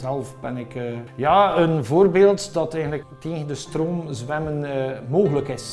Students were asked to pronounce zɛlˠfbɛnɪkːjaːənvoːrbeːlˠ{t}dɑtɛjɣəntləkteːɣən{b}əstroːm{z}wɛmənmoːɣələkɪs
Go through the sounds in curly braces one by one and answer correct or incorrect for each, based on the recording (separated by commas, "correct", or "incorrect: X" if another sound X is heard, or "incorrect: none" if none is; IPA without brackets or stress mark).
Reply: correct, incorrect: d, correct